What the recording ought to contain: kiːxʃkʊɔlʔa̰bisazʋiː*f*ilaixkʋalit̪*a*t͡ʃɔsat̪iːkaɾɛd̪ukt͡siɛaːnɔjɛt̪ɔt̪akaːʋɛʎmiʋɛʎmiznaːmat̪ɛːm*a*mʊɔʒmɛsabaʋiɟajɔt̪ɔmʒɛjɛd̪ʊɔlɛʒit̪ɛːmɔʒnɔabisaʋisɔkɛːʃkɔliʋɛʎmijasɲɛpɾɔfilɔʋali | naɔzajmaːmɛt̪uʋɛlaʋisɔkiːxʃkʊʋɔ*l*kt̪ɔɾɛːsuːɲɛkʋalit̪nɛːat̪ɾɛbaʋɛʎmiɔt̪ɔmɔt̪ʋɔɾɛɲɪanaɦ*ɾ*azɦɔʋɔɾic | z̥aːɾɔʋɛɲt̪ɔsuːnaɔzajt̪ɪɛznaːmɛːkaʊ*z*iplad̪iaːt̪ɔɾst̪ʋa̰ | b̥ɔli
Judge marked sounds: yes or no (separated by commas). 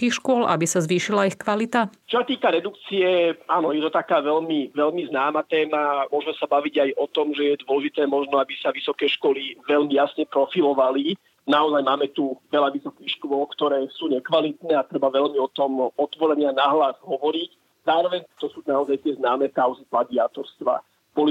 no, yes, yes, yes, no, yes